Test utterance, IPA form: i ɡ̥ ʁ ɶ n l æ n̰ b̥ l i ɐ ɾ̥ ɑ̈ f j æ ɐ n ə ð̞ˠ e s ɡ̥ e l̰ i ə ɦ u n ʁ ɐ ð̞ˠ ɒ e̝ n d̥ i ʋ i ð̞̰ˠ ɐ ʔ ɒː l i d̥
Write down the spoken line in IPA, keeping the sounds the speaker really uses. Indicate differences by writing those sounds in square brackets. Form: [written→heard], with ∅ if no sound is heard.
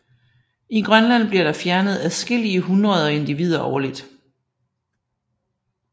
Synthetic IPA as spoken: i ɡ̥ ʁ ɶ n l æ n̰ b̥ l i ɐ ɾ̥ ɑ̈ f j æ ɐ n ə ð̞ˠ [e→æ] s ɡ̥ e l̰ i ə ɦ u n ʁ ɐ ð̞ˠ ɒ e̝ n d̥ i ʋ i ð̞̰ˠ ɐ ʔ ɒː l i d̥